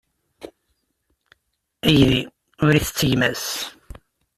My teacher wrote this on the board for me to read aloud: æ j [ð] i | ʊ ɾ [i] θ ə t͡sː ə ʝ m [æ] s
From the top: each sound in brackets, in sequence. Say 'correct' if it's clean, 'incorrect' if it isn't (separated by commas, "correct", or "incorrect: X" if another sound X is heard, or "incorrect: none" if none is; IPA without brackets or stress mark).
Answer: correct, correct, correct